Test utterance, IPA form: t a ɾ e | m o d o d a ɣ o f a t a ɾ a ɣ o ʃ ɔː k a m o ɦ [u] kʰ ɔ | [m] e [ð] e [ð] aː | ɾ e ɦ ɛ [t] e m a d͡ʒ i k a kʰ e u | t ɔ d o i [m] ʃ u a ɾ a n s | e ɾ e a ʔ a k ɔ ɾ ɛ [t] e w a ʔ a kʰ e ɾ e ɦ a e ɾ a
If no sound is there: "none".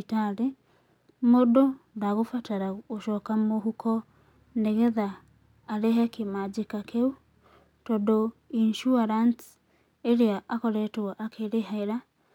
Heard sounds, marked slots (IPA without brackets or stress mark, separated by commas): u, n, ɣ, ð, k, n, t